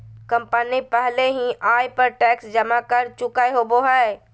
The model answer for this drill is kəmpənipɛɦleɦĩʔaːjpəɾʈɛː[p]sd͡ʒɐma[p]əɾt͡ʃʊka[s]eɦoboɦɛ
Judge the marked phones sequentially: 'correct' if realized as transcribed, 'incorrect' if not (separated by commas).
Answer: incorrect, incorrect, incorrect